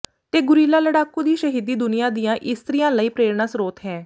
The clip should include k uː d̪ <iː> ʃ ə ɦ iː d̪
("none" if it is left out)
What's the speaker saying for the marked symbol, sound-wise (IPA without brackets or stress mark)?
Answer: iː